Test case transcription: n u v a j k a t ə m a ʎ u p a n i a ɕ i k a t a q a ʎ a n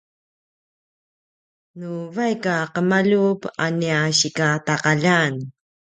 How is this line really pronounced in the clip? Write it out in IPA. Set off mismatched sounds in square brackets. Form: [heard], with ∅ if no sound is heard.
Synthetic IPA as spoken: n u v a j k a [q] ə m a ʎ u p a n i a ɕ i k a t a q a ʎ a n